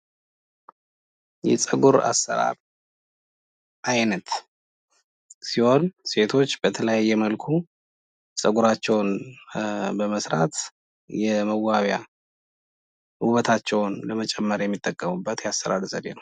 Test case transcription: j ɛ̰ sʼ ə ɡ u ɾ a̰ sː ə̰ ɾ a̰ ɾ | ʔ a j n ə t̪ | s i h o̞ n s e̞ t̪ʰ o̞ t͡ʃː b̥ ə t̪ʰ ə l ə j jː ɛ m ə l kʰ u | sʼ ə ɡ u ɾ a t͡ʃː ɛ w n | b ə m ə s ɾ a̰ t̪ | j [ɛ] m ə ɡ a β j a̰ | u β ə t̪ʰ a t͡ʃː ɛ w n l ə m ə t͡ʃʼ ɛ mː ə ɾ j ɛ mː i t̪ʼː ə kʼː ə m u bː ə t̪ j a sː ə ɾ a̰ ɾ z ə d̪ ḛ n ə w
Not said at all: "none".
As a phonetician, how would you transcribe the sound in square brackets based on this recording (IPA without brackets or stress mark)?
ɛ